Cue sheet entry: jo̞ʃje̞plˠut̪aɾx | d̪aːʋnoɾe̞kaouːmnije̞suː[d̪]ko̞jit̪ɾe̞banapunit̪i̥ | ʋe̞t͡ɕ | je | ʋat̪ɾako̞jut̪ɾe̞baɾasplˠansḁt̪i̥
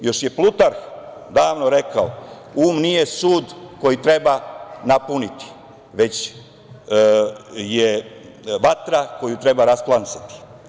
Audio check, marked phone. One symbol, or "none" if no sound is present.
d̪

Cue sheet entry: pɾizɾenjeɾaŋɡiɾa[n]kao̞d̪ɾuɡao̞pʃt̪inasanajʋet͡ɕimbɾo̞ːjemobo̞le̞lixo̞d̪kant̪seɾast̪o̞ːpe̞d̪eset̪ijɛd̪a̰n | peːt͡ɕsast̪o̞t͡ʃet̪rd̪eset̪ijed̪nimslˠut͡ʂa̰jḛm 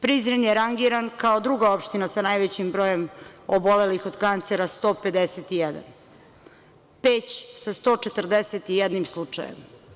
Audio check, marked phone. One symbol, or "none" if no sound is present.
n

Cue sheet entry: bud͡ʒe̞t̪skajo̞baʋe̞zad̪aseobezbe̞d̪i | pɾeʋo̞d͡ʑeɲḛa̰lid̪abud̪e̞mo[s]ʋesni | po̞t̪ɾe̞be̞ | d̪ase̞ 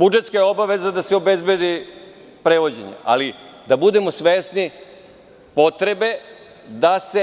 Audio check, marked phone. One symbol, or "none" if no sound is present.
s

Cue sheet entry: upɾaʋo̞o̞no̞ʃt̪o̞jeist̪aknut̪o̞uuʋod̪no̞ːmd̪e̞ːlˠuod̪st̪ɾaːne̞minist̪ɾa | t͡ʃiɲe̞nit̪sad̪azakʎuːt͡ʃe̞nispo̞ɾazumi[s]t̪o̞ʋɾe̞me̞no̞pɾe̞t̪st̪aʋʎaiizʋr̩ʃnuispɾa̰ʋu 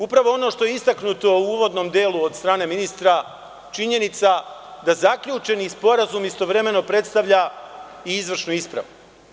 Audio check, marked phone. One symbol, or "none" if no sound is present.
s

